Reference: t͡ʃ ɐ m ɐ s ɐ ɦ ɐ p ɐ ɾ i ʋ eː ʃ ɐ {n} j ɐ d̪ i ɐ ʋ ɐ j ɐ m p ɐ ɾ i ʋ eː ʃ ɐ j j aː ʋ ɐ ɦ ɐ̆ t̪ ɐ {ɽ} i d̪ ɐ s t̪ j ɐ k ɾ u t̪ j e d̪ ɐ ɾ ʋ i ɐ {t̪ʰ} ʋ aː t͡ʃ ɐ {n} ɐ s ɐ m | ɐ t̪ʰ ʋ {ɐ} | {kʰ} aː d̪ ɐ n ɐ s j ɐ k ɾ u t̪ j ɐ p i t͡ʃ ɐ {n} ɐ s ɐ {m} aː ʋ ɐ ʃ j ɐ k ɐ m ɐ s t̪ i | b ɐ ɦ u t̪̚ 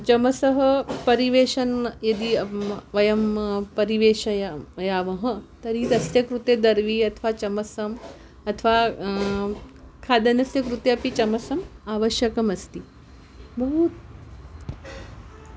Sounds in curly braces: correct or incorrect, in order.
correct, incorrect, correct, incorrect, incorrect, correct, incorrect, correct

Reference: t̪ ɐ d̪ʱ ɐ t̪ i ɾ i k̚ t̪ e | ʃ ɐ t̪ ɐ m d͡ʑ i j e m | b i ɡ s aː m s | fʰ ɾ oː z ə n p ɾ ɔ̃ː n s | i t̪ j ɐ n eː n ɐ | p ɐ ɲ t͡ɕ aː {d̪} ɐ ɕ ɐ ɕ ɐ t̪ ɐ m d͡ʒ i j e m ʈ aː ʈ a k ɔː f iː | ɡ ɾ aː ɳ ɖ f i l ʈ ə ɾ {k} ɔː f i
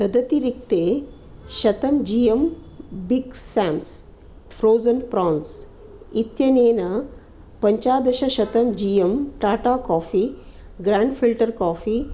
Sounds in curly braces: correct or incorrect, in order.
correct, correct

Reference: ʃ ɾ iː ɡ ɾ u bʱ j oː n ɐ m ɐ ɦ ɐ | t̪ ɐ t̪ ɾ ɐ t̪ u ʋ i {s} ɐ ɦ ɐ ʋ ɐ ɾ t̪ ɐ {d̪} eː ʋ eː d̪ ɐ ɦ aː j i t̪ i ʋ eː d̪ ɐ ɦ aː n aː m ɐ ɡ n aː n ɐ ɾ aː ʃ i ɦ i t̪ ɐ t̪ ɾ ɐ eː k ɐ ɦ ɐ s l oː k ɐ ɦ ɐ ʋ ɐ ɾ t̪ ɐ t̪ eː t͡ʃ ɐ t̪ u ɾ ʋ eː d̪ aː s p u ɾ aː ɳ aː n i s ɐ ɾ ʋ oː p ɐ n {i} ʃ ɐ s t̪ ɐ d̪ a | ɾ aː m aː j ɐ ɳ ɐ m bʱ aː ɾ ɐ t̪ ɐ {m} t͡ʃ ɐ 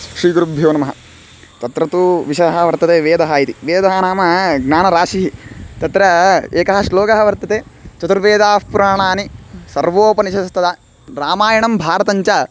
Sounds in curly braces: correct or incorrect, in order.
incorrect, incorrect, correct, incorrect

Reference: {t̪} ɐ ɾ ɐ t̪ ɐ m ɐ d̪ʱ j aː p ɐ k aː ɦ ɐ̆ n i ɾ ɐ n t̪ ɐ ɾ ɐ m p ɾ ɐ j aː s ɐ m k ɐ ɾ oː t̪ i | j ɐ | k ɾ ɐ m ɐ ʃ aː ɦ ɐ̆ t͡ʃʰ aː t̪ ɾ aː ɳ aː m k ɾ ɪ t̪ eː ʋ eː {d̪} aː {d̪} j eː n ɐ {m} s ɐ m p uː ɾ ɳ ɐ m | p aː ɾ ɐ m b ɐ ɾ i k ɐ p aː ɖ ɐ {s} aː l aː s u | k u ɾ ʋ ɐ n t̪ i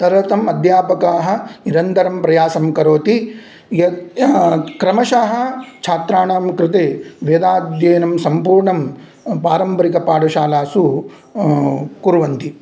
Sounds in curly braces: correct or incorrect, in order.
correct, correct, correct, correct, incorrect

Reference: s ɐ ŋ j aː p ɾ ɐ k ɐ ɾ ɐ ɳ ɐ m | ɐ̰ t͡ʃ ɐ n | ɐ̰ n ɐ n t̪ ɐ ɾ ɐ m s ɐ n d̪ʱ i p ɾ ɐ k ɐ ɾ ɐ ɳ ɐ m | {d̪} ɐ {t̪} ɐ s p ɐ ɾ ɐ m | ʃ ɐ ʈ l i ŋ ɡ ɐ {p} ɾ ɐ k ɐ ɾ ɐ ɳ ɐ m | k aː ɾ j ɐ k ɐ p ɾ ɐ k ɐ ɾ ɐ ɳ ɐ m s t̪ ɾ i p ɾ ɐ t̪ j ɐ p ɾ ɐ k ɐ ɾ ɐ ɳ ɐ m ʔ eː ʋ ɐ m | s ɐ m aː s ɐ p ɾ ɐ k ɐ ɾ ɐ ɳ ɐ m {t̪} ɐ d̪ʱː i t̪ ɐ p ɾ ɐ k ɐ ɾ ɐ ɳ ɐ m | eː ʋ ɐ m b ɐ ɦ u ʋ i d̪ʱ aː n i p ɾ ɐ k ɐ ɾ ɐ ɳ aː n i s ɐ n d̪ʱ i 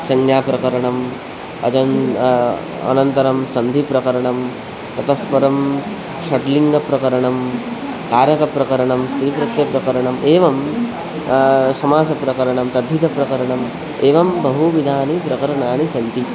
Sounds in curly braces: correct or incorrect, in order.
incorrect, correct, correct, correct

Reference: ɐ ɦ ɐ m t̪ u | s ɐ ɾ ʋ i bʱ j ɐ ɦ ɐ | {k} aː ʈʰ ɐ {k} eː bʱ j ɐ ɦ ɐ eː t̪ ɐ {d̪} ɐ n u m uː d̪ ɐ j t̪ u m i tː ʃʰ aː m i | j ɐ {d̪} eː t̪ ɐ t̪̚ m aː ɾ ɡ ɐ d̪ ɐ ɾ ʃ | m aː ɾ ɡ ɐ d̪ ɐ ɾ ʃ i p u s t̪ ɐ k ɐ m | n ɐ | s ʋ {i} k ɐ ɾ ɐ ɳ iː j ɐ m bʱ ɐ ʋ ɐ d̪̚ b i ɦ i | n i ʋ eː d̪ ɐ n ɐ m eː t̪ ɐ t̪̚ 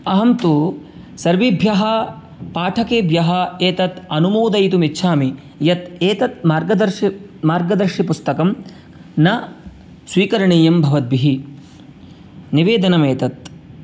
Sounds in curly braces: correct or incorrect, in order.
incorrect, correct, incorrect, incorrect, incorrect

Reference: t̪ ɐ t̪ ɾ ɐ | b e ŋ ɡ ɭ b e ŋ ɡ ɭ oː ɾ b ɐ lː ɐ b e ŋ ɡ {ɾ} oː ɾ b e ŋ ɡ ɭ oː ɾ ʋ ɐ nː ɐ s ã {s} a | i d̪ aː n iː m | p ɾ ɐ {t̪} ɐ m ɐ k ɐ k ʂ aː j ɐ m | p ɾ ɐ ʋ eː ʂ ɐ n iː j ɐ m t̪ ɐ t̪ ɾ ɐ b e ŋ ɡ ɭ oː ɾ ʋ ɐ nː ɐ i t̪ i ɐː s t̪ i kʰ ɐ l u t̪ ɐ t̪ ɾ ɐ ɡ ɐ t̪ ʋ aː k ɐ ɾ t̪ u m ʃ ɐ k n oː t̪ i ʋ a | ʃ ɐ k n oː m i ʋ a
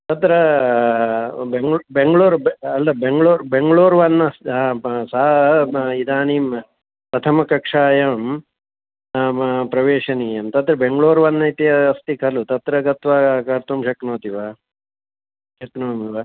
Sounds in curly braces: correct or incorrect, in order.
incorrect, correct, incorrect

